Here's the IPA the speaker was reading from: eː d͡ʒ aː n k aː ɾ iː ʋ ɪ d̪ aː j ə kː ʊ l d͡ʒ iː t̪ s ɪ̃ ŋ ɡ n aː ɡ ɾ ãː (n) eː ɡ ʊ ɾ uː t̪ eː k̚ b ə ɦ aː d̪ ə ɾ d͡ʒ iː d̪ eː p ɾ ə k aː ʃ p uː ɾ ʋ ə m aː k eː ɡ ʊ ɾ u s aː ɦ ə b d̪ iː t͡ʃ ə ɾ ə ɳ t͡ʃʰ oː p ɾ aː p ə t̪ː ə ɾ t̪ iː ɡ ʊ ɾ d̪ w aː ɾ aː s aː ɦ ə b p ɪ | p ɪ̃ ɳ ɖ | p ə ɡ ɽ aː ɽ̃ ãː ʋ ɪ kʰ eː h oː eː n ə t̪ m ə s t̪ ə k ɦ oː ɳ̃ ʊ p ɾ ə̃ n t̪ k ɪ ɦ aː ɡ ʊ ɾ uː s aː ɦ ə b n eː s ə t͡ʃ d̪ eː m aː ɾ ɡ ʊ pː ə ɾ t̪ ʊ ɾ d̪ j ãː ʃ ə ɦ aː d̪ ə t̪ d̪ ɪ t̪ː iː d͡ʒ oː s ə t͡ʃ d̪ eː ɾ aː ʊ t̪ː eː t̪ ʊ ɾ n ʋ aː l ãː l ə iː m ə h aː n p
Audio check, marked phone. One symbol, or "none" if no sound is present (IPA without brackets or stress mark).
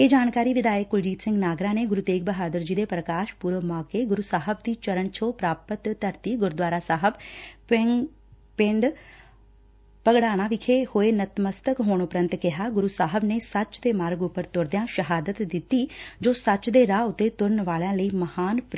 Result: n